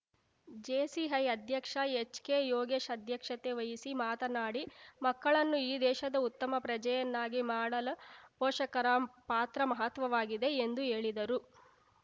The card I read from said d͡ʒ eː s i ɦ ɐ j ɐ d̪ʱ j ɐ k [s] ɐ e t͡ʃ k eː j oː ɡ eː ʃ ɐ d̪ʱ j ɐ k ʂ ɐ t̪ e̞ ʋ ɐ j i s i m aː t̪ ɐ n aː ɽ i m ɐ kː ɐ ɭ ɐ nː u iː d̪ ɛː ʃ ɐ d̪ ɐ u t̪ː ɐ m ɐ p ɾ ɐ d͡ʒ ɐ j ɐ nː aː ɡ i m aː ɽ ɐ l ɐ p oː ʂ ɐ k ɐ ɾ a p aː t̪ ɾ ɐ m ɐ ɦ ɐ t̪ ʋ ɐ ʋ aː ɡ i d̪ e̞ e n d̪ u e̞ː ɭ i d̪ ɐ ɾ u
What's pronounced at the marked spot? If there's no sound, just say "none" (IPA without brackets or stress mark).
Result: ʂ